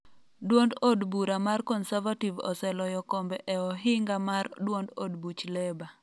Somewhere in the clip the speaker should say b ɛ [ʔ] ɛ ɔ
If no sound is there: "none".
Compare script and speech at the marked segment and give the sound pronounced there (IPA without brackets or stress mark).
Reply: ʔ